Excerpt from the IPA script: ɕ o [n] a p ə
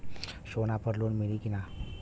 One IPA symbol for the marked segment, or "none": n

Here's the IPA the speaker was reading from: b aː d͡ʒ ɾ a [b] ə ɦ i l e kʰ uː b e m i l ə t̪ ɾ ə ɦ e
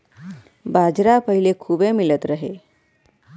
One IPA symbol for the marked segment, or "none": p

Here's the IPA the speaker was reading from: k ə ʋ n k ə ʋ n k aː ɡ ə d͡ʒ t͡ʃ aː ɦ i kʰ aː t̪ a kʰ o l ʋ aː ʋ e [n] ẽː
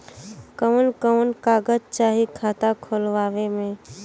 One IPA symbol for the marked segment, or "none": m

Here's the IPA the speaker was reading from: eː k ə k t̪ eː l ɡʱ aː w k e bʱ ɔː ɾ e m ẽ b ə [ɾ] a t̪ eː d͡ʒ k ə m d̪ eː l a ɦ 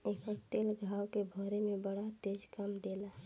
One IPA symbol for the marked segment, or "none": ɽ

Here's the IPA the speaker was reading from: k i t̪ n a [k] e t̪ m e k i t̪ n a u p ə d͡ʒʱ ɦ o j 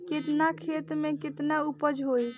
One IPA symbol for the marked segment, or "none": kʰ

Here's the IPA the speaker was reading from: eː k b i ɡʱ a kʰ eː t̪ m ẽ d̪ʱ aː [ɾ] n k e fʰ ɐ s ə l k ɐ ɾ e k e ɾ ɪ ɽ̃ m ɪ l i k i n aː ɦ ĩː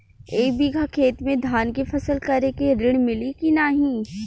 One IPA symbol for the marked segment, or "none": none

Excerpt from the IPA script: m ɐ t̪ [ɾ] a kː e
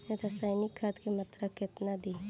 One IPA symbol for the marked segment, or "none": ɾ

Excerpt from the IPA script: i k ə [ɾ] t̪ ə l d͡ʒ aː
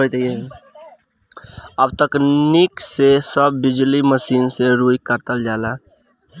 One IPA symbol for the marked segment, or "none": ɾ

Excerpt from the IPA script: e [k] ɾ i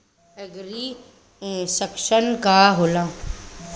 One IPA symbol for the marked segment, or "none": ɡ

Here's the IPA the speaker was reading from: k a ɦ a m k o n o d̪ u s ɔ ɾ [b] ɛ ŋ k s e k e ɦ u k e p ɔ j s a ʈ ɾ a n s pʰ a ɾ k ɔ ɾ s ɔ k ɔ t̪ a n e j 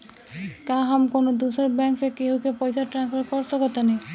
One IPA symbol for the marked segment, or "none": b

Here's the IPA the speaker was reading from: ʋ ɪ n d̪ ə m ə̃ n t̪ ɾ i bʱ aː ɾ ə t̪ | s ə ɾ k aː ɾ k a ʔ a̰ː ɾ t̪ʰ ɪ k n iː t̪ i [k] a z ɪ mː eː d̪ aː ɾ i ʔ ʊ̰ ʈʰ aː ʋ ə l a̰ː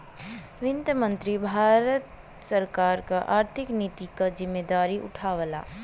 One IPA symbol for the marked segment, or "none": k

